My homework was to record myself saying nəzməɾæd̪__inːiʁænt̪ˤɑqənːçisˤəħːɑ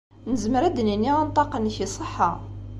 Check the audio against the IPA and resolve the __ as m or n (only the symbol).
n